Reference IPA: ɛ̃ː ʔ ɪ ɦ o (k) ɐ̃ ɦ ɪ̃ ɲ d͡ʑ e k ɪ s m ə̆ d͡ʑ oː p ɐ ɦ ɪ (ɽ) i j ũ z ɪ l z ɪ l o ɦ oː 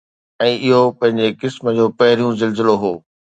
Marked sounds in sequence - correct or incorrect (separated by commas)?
incorrect, incorrect